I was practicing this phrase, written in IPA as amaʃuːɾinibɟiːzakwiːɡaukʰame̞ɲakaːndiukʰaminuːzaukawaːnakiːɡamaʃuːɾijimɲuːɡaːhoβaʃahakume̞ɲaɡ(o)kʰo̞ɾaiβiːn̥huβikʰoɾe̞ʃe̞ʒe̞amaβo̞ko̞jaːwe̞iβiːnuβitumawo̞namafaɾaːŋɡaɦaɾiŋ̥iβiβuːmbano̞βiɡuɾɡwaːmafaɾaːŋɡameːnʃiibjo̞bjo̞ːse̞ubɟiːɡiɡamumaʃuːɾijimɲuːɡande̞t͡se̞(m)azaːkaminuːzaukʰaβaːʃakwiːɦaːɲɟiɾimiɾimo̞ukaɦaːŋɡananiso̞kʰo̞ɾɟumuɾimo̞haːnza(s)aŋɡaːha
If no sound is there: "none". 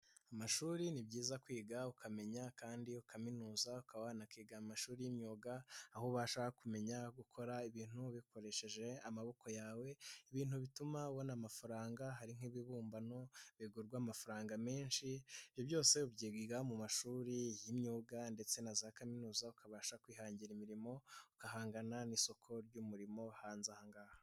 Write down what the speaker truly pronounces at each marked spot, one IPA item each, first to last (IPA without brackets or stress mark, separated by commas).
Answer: u, n, h